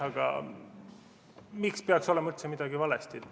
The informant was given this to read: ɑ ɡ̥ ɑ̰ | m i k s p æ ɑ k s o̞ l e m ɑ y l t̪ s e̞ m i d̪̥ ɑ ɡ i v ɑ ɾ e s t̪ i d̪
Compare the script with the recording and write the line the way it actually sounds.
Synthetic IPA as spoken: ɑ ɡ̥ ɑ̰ | m i k s p e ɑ k s o̞ l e m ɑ y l t̪ s e̞ m i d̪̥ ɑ ɡ i v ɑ l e s t̪ i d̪